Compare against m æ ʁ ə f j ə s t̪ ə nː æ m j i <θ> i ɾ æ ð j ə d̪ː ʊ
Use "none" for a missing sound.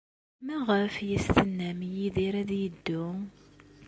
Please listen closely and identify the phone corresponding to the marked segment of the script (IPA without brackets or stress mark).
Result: ð